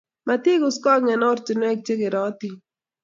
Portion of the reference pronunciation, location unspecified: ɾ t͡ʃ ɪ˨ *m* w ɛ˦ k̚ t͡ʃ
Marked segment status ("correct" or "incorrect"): incorrect